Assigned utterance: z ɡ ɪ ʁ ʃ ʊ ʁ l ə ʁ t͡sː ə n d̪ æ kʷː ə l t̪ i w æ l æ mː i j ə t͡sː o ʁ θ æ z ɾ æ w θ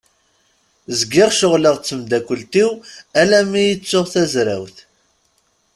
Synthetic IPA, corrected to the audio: z ɡ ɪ ʁ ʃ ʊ ʁ l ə ʁ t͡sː ə m d̪ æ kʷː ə l t̪ i w æ l æ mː i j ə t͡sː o ʁ θ æ z ɾ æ w θ